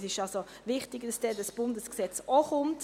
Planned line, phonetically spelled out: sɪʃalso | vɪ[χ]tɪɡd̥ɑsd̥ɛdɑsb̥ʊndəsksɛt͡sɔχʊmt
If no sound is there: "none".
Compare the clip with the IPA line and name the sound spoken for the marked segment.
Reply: χ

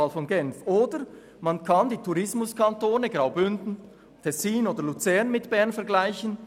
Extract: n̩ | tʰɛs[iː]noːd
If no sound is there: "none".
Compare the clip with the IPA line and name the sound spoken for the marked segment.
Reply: iː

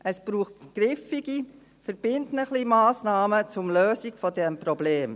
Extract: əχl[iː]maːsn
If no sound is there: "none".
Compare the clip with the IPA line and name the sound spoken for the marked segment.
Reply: i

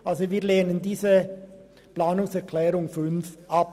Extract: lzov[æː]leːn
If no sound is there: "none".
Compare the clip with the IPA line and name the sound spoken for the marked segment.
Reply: iː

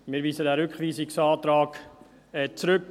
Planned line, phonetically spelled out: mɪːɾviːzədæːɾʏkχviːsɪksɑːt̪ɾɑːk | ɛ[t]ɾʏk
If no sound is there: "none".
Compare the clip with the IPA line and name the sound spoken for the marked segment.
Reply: t͡s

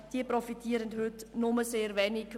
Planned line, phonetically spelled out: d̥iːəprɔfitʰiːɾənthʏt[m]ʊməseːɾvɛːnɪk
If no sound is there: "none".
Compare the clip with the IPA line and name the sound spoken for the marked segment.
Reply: n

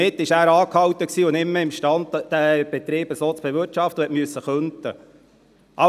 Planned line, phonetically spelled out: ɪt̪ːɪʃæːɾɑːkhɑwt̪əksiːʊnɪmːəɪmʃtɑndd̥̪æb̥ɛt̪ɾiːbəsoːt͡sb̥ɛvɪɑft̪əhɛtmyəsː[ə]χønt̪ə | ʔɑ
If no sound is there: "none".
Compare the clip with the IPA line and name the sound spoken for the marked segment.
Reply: ə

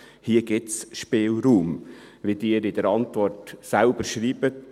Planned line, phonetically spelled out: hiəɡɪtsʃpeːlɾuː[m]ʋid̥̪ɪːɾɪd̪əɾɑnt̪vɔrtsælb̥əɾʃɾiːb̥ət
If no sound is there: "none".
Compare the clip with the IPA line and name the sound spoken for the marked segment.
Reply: m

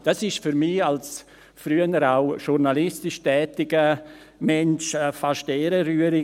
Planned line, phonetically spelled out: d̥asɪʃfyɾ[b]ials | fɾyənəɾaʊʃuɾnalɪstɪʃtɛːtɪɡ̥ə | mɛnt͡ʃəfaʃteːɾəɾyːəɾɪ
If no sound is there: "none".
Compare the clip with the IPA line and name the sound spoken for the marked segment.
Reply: m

